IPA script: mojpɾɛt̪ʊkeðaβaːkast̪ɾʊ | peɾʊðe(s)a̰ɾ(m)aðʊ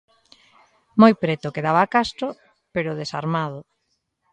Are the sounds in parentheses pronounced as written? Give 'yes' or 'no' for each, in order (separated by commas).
yes, yes